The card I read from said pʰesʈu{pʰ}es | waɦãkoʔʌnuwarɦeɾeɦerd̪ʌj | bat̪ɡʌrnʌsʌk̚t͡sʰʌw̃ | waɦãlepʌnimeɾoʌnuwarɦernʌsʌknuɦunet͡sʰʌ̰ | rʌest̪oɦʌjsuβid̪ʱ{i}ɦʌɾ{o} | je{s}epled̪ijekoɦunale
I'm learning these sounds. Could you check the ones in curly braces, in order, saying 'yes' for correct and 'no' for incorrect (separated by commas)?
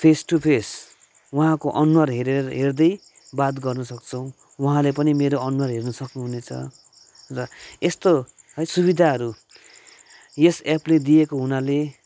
yes, no, no, yes